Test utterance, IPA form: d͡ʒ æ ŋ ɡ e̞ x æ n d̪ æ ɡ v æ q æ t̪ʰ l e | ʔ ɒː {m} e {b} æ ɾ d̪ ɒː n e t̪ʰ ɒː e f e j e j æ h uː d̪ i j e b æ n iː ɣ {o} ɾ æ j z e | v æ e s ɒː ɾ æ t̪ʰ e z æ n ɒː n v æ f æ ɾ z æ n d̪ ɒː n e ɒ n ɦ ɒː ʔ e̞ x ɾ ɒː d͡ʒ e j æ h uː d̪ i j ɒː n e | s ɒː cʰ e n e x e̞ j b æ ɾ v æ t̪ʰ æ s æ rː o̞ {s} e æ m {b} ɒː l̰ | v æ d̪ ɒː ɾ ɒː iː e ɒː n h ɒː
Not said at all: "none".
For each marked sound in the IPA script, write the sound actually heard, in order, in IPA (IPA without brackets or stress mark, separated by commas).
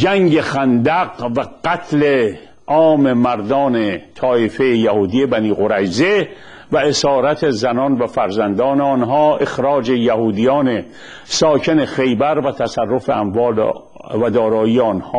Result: m, m, o, f, v